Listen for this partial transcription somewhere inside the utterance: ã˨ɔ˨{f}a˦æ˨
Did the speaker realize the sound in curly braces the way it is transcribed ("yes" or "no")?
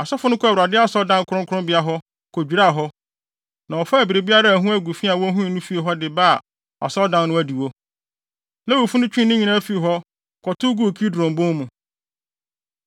yes